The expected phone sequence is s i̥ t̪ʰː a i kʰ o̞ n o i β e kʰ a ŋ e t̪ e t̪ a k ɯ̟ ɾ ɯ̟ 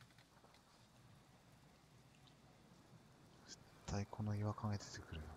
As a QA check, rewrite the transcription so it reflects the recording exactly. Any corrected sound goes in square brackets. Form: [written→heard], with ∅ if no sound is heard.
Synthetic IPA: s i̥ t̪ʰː a i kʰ o̞ n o i β [e→a] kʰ a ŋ e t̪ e t̪ [a→e] k ɯ̟ ɾ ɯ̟